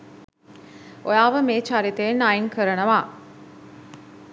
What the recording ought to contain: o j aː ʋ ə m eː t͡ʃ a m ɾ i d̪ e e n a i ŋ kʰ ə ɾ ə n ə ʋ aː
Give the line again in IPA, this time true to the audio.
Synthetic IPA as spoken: o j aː ʋ ə m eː t͡ʃ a ɾ i t̪ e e n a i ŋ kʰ ə ɾ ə n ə ʋ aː